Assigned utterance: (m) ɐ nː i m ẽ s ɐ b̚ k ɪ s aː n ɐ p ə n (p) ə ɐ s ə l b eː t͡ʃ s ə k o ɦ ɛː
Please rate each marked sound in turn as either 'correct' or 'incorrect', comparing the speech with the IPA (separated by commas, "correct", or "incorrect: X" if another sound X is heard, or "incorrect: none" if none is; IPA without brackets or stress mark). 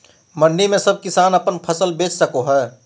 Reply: correct, incorrect: pʰ